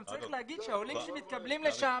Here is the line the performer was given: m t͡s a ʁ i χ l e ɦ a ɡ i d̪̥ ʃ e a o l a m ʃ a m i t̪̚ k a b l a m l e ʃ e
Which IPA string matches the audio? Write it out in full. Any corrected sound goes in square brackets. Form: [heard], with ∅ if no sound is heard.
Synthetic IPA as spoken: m t͡s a ʁ i χ l e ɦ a ɡ i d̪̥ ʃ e a o l [i] m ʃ [e] m i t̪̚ k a b l [i] m l e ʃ [a]